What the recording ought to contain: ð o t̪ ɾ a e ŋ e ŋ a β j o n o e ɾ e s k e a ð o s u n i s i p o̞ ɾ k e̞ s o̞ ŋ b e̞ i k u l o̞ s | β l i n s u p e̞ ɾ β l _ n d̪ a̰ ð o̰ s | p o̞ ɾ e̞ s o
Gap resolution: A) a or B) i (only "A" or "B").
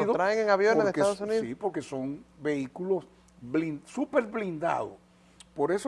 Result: B